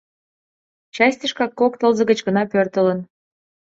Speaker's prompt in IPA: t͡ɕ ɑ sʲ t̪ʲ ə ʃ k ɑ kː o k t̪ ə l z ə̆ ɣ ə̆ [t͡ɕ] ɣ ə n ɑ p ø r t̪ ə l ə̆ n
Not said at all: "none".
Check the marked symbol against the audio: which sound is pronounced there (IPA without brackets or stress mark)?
t͡ɕ